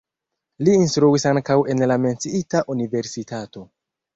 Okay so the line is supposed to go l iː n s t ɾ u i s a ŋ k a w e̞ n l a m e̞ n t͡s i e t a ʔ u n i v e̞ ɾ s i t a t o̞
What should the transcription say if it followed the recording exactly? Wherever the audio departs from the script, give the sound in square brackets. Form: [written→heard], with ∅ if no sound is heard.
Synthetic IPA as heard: l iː n s t ɾ u i s a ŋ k a w e̞ n l a m e̞ n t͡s i [e→i] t a ʔ u n i v e̞ ɾ s i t a t o̞